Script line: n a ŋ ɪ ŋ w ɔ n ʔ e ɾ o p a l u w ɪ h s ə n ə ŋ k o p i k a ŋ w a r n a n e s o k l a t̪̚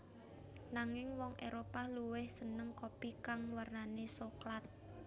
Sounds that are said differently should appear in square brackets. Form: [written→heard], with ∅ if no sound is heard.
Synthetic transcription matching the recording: n a ŋ ɪ ŋ w ɔ [n→ŋ] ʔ e ɾ o p a l u w ɪ h s ə n ə ŋ k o p i k a ŋ w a r n a n e s o k l a t̪̚

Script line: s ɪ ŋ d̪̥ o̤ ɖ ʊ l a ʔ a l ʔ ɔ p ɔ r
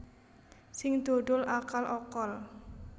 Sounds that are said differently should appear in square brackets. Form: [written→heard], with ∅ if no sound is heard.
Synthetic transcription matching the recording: s ɪ ŋ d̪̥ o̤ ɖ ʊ l a [ʔ→k] a l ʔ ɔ [p→k] ɔ [r→l]

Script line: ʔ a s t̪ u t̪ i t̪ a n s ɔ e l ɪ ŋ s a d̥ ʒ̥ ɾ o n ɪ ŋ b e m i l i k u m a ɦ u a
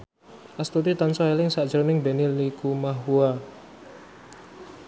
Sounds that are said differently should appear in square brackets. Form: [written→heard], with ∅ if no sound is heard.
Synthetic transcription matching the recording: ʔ a s t̪ u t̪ i t̪ a n s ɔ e l ɪ ŋ s a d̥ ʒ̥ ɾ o n ɪ ŋ b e [m→n] i l i k u m a ɦ u a

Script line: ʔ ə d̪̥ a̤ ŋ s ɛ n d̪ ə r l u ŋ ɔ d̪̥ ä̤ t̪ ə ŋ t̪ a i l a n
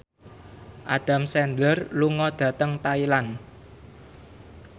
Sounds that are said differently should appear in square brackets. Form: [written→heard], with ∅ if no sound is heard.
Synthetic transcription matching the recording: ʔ [ə→a] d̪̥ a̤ [ŋ→m] s ɛ n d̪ ə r l u ŋ ɔ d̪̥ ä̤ t̪ ə ŋ t̪ a i l a n

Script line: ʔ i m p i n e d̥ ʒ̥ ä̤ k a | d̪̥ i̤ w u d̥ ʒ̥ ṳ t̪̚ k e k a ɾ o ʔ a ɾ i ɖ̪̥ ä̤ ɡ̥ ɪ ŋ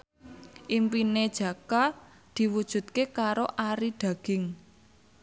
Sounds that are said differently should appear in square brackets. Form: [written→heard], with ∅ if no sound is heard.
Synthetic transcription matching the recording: ʔ i m p i n e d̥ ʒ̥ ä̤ k a | d̪̥ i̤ w u d̥ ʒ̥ ṳ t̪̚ k e k a ɾ o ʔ a ɾ i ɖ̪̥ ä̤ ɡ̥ ɪ ŋ

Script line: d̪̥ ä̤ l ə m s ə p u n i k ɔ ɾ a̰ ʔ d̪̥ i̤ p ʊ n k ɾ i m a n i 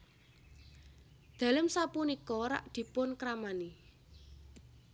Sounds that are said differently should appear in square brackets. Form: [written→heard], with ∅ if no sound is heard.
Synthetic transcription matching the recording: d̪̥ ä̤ l ə m s [ə→a] p u n i k ɔ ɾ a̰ ʔ d̪̥ i̤ p ʊ n k ɾ [i→a] m a n i

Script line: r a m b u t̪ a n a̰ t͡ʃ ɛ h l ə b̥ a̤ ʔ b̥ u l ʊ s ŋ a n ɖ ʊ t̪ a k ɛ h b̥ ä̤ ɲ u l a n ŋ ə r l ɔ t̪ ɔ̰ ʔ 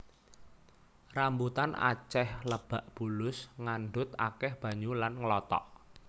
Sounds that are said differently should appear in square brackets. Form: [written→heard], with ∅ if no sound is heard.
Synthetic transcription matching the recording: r a m b u t̪ a n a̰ t͡ʃ ɛ h l ə b̥ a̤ ʔ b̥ u l ʊ s ŋ a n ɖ ʊ t̪ a k ɛ h b̥ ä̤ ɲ u l a n ŋ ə [r→∅] l ɔ t̪ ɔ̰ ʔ

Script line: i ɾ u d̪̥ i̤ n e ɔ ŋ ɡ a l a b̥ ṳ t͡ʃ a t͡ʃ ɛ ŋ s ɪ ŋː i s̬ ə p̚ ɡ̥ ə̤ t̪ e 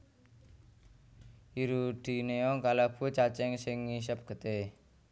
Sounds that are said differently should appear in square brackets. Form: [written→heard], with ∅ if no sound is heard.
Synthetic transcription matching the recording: i ɾ u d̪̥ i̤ n e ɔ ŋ [ɡ→k] a l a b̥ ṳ t͡ʃ a t͡ʃ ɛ ŋ s ɪ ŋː i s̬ ə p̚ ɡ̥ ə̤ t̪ e

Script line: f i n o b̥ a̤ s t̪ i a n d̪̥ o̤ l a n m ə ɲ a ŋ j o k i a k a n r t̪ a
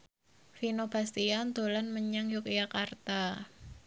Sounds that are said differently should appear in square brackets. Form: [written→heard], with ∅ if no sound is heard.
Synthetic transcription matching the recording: f i n o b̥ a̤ s t̪ i a n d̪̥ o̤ l a n m ə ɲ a ŋ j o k [i→j] a k a [n→∅] r t̪ a

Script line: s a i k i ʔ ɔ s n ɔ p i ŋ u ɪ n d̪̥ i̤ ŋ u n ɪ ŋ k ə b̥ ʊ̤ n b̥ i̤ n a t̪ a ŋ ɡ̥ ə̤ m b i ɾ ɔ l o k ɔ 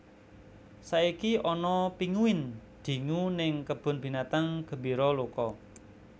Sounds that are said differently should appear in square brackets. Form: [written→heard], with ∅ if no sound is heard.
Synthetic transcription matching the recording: s a i k i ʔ ɔ [s→∅] n ɔ p i ŋ u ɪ n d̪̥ i̤ ŋ u n ɪ ŋ k ə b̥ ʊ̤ n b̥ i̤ n a t̪ a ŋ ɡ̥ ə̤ m b i ɾ ɔ l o k ɔ

